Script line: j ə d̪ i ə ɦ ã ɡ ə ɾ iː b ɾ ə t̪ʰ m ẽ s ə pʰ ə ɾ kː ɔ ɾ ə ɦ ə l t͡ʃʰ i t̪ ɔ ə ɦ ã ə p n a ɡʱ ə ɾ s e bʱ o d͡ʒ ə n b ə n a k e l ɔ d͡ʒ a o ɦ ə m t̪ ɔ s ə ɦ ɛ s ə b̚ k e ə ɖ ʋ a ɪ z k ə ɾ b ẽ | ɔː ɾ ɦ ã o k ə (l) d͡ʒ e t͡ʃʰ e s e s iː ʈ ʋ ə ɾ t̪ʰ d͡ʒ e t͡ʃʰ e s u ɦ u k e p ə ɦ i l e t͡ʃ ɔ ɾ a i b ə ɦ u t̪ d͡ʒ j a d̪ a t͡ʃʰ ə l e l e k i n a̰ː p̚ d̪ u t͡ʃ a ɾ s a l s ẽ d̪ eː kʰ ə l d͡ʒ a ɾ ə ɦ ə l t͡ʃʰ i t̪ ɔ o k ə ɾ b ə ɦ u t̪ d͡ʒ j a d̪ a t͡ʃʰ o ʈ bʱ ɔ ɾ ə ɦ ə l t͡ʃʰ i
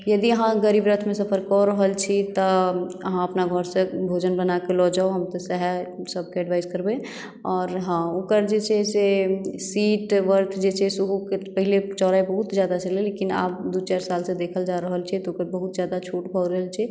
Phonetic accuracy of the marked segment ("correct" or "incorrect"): incorrect